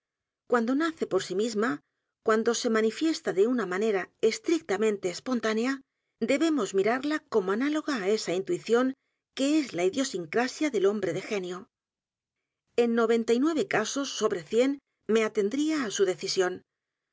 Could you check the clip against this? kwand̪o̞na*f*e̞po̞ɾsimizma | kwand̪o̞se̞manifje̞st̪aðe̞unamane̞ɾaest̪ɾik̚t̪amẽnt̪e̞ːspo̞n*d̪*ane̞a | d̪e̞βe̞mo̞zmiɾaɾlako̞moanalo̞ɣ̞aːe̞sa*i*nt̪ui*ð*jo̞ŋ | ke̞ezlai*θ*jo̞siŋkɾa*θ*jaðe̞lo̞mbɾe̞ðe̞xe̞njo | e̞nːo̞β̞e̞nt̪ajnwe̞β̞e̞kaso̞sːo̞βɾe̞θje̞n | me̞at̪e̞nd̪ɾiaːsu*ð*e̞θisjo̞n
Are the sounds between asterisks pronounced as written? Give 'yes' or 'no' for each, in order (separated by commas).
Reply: no, no, yes, no, no, no, yes